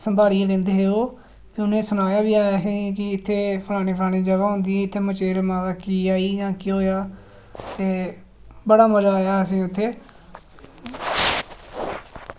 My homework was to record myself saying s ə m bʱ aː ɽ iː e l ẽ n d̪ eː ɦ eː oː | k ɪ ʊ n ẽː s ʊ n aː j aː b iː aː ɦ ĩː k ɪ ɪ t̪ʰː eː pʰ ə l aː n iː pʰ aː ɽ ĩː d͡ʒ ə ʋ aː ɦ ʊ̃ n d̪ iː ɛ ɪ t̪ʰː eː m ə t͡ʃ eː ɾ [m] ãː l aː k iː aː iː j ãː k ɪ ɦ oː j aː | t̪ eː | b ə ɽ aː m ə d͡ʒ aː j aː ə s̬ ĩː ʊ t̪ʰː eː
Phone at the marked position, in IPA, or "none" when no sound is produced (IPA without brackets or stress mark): m